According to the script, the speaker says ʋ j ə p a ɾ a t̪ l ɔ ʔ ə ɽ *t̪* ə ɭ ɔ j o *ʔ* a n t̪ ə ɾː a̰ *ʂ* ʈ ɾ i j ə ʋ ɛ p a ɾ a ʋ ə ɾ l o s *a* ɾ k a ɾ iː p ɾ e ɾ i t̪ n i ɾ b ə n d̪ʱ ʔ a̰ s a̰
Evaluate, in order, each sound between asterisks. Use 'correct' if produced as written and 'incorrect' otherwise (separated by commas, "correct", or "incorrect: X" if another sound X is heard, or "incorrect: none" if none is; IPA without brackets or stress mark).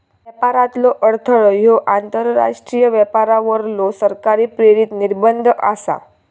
incorrect: t̪ʰ, correct, correct, incorrect: ə